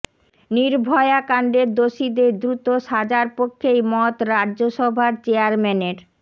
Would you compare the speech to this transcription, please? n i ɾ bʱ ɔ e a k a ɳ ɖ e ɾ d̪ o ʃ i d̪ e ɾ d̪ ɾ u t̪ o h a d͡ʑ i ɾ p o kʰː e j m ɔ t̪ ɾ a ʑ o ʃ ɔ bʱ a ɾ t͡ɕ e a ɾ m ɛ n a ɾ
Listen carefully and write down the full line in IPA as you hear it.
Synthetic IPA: n i ɾ bʱ ɔ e a k a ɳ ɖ e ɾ d̪ o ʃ i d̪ e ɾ d̪ ɾ u t̪ o ʃ a d͡ʑ a ɾ p o kʰː e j m ɔ t̪ ɾ a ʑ o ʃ ɔ bʱ a ɾ t͡ɕ e a ɾ m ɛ n e ɾ